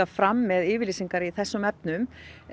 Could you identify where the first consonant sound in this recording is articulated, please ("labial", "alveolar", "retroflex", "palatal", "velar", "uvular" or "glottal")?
labial